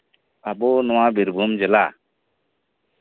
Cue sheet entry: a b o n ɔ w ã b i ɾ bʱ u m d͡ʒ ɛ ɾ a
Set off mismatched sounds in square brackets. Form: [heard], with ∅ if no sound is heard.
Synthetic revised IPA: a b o n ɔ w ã b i ɾ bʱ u m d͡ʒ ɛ [l] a

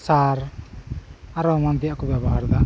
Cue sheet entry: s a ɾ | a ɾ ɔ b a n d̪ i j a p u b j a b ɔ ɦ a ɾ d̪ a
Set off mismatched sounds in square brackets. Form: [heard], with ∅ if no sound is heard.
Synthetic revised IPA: s a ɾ | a ɾ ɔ [m] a n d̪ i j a [k] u b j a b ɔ ɦ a ɾ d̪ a

